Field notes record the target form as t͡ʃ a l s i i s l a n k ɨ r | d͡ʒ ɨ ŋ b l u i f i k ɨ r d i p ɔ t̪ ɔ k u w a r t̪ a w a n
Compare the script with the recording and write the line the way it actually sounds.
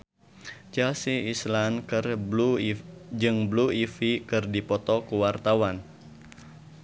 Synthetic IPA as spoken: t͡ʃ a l s i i s l a n k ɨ r | d͡ʒ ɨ ŋ b l u i f i k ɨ r d i p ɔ t̪ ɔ k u w a r t̪ a w a n